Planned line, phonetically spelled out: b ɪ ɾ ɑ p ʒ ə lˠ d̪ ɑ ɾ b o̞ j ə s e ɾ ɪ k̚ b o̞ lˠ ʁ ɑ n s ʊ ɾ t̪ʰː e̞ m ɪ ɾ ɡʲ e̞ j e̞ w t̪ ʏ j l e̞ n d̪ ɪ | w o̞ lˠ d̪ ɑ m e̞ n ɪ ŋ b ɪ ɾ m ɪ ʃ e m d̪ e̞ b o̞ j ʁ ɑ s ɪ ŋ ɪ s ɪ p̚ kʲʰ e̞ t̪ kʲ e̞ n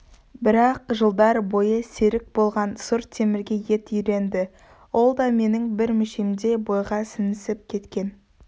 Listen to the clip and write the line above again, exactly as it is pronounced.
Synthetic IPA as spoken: b ɪ ɾ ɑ q ʒ ə lˠ d̪ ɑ ɾ b o̞ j ə s e ɾ ɪ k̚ b o̞ lˠ ʁ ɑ n s ʊ ɾ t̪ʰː e̞ m ɪ ɾ ɡʲ e̞ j e̞ t̪ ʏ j ɾ e̞ n d̪ ɪ | w o̞ lˠ d̪ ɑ m e̞ n ɪ ŋ b ɪ ɾ m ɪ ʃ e m d̪ e̞ b o̞ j ʁ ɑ s ɪ n ɪ s ɪ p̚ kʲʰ e̞ t̪ kʲ e̞ n